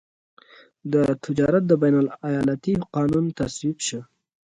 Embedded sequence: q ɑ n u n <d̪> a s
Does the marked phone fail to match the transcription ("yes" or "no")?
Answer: yes